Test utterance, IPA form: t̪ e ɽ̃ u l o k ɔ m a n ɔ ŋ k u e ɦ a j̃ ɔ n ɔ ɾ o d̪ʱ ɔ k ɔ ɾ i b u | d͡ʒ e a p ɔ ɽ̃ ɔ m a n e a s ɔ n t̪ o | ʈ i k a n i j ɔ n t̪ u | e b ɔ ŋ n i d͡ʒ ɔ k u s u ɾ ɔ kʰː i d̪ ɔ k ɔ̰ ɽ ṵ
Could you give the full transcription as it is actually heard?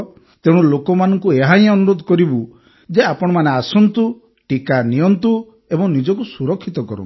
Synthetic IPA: t̪ e ɽ̃ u l o k ɔ m a n ɔ ŋ k u e ɦ a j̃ ɔ n u ɾ o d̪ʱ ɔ k ɔ ɾ i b u | d͡ʒ e a p ɔ ɽ̃ ɔ m a n e a s ɔ n t̪ u | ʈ i k a n i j ɔ n t̪ u | e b ɔ ŋ n i d͡ʒ ɔ k u s u ɾ ɔ kʰː i t̪ ɔ k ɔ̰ ɾ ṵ